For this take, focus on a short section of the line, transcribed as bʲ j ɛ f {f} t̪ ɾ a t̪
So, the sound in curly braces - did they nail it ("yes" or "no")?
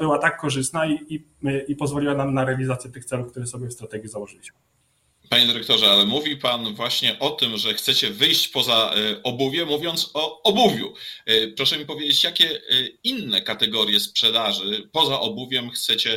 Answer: no